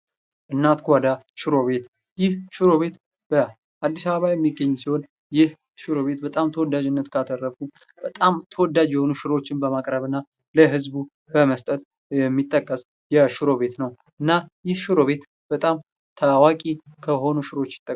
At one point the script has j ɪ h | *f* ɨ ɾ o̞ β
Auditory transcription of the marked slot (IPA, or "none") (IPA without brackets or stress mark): ʃ